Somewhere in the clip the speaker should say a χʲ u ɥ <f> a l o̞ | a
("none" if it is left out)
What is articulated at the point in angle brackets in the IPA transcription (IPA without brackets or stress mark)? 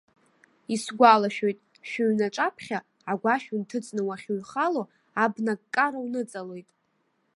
χ